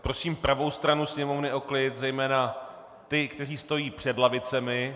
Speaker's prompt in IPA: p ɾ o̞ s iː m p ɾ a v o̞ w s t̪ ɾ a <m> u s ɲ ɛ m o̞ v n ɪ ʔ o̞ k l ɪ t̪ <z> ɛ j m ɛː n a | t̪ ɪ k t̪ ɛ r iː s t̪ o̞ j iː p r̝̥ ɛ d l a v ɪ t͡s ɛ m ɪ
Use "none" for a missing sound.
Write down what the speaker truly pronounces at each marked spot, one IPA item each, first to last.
n, z

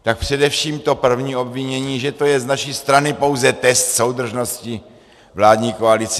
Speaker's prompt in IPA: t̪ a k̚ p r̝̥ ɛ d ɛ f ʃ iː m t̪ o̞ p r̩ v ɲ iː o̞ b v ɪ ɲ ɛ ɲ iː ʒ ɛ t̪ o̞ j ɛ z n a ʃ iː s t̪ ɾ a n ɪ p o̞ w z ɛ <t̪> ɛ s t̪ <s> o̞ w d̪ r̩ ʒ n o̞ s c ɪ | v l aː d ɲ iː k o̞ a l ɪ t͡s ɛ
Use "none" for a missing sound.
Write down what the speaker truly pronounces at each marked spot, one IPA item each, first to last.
t̪, s

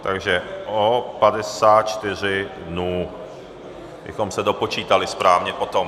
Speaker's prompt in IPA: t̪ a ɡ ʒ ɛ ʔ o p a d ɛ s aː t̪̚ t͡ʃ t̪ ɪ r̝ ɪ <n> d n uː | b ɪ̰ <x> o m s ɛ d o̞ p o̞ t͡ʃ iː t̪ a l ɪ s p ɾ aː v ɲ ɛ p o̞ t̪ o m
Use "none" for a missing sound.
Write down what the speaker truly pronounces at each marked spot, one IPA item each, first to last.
none, x

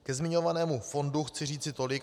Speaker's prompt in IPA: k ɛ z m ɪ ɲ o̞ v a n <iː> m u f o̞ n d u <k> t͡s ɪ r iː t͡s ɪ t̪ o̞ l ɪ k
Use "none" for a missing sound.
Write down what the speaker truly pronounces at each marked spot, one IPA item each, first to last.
ɛː, x

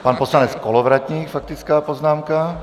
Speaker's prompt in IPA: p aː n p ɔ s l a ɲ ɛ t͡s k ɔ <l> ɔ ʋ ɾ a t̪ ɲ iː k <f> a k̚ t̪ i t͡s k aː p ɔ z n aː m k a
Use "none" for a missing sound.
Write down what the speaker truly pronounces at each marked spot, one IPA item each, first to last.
l, f

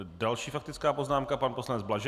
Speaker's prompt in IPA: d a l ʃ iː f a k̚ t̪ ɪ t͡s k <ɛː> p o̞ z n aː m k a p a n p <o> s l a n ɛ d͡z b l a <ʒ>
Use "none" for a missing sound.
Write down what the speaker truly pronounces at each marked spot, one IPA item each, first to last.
aː, o, ʒ

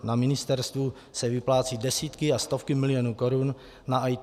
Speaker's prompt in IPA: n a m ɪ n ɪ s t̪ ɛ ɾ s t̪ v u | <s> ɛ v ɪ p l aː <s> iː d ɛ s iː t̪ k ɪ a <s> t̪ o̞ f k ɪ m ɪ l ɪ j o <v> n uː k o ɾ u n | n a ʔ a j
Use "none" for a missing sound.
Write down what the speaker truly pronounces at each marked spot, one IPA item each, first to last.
s, t͡s, s, none

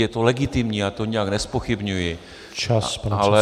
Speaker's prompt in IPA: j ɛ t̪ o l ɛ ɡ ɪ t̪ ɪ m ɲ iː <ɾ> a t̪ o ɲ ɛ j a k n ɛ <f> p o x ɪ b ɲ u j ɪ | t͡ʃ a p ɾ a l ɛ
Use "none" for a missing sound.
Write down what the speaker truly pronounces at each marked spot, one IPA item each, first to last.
none, s

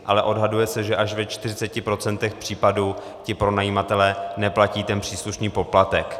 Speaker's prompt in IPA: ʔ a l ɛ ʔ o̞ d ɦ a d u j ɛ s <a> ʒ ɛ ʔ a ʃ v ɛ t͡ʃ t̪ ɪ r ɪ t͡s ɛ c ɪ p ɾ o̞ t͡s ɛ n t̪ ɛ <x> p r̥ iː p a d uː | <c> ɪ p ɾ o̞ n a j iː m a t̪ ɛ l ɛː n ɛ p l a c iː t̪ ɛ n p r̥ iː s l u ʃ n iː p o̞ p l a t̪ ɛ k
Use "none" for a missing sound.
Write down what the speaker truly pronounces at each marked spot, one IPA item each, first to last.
ɛ, x, c

